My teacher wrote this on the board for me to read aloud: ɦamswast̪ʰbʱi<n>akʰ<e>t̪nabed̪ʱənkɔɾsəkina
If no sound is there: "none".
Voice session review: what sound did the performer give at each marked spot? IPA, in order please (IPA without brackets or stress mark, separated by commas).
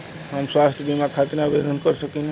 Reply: m, a